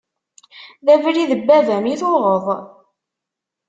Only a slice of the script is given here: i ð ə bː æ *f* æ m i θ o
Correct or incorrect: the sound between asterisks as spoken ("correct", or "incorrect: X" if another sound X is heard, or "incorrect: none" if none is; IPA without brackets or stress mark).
incorrect: v